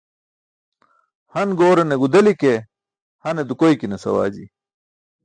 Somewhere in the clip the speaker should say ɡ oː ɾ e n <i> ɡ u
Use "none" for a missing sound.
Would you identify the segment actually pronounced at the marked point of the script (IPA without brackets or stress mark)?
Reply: e